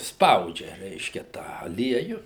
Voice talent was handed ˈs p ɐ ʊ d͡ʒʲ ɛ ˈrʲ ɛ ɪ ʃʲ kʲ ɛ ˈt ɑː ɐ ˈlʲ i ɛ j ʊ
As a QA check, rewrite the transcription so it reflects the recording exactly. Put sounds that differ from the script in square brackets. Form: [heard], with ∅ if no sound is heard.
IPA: ˈs p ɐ ʊ d͡ʒʲ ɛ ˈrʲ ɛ ɪ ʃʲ kʲ ɛ ˈt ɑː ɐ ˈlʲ i ɛ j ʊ